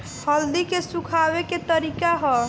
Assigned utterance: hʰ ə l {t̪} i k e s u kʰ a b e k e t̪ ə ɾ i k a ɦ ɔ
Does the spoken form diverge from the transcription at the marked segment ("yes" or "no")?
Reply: yes